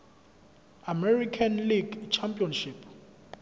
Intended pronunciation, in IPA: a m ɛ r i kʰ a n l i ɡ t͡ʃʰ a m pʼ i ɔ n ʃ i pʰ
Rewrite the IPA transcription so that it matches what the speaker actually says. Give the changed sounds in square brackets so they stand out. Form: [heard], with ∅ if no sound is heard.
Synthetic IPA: a m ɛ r i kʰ a n l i ɡ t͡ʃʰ a m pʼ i ɔ n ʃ i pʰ